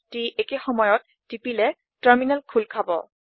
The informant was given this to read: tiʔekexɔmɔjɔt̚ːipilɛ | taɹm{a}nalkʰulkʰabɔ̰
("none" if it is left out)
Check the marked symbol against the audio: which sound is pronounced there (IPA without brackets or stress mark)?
i